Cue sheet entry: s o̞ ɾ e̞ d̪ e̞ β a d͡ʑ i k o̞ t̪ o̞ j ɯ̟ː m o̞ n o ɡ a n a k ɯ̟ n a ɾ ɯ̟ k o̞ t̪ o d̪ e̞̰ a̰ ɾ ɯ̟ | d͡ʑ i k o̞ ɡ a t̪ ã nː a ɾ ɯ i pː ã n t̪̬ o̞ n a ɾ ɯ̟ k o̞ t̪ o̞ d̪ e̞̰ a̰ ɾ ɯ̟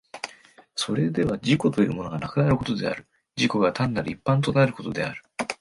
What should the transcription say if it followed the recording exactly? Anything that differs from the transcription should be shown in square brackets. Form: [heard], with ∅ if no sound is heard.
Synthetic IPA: s o̞ ɾ e̞ d̪ e̞ β a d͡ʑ i k o̞ t̪ o̞ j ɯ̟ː m o̞ n o ɡ a n a k ɯ̟ n a ɾ ɯ̟ k o̞ t̪ o d̪ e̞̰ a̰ ɾ ɯ̟ | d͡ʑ i k o̞ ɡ a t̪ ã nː a ɾ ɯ i pː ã n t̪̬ o̞ n a ɾ ɯ̟ k o̞ t̪ o̞ d̪ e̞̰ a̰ ɾ ɯ̟